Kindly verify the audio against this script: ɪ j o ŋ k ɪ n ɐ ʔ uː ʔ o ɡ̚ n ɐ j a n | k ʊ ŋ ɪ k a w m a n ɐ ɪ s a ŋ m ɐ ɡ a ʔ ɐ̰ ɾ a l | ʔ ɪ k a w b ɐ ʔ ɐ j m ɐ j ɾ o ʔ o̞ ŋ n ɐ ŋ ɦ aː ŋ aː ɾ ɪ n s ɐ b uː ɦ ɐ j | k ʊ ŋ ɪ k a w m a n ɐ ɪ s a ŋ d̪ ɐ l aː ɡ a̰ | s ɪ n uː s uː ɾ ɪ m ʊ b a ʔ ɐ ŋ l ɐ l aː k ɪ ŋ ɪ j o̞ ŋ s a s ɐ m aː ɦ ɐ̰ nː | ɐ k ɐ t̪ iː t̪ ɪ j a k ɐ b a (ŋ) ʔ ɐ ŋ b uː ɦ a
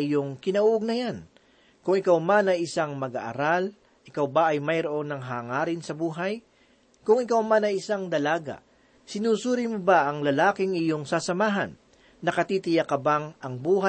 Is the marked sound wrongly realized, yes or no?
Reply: no